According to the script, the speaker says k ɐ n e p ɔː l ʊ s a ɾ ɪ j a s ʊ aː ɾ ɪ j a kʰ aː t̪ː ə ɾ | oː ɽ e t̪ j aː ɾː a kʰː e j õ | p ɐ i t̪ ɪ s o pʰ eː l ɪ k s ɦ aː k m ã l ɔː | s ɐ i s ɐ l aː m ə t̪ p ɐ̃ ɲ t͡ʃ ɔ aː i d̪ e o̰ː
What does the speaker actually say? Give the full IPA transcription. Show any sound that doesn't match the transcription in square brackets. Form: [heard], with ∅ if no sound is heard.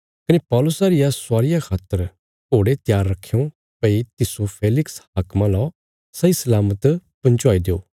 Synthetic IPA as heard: k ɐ n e p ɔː l ʊ s a ɾ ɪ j a s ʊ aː ɾ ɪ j a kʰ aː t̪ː ə ɾ | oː ɽ e t̪ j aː ɾː [ɐ] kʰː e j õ | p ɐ i t̪ ɪ s o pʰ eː l ɪ k s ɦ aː k m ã l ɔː | s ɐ i s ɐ l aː m ə t̪ p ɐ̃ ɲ t͡ʃ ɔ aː i d̪ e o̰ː